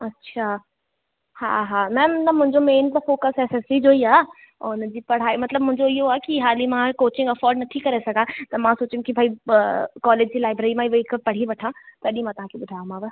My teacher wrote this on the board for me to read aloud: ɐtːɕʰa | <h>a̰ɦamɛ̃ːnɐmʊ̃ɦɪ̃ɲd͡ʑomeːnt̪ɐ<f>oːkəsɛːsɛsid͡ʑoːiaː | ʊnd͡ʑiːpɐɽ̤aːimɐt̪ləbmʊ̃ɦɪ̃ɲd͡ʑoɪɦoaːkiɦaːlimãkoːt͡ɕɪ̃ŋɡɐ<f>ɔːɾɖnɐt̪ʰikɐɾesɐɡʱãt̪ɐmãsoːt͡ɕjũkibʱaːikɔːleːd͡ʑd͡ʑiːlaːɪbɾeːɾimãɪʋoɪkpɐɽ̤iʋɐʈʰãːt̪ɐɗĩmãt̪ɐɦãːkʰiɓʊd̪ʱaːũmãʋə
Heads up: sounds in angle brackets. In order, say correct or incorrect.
correct, correct, correct

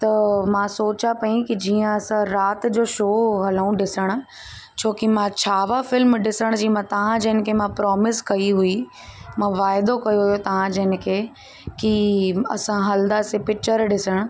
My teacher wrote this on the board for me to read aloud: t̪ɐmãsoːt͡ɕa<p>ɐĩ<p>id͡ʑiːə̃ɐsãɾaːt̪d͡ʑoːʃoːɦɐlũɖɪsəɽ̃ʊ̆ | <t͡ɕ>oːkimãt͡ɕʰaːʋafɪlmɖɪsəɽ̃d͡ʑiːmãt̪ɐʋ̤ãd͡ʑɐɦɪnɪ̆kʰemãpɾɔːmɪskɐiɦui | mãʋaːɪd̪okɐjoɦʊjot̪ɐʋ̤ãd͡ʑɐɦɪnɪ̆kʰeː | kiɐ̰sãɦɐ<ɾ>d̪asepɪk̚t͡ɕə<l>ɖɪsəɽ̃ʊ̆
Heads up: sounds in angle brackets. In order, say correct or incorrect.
correct, incorrect, incorrect, incorrect, incorrect

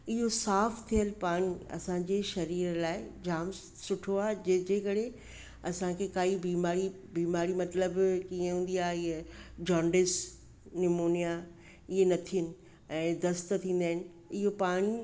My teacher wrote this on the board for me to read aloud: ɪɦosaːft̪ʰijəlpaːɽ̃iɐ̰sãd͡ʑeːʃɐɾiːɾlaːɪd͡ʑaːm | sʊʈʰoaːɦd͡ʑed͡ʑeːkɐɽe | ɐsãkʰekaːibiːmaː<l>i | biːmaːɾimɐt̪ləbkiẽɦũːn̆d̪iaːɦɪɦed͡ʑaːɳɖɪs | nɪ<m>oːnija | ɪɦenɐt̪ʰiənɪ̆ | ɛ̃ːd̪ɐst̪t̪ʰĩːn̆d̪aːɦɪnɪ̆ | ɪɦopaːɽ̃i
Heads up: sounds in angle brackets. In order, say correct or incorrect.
incorrect, correct

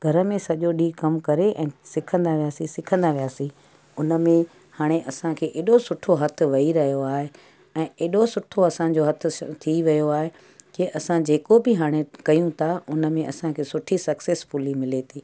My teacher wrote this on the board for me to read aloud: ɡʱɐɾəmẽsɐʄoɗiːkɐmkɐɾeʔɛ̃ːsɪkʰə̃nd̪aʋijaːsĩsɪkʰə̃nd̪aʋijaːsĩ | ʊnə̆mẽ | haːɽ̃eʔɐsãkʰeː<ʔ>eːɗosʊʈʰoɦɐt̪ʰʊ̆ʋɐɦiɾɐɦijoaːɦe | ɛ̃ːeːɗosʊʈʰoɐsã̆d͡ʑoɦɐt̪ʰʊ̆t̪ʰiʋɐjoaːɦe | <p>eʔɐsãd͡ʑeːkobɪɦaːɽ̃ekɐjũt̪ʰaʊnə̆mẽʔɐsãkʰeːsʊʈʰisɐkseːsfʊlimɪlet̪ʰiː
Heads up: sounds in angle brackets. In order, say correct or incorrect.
correct, incorrect

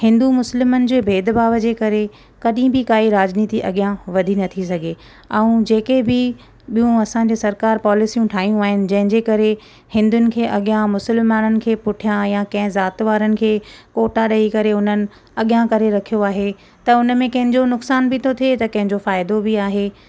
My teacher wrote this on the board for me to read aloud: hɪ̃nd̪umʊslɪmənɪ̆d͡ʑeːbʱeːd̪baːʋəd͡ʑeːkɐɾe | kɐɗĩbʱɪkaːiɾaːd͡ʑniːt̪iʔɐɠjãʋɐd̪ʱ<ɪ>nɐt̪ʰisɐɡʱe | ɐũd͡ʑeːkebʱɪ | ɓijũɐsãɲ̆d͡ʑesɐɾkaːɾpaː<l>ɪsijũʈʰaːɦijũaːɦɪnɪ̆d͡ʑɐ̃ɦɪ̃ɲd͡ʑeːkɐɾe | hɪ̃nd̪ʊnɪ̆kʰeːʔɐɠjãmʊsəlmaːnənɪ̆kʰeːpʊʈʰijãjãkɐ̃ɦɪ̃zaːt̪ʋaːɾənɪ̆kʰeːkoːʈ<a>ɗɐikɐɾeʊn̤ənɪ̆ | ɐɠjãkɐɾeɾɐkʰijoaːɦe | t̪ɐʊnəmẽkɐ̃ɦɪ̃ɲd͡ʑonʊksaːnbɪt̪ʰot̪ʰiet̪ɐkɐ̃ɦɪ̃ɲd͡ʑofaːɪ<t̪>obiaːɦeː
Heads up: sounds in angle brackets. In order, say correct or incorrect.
incorrect, correct, correct, incorrect

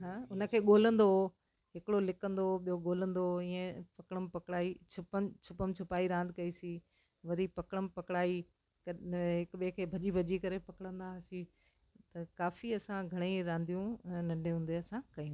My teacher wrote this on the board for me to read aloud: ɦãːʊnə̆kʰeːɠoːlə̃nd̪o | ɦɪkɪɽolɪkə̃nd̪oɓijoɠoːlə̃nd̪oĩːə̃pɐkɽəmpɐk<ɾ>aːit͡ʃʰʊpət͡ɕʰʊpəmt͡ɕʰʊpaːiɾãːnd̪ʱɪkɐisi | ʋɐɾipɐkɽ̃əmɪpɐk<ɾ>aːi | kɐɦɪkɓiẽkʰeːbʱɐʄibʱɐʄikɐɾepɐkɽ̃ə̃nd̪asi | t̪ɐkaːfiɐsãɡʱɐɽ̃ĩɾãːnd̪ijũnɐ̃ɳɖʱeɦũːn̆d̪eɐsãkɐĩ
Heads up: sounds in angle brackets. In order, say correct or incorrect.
incorrect, incorrect

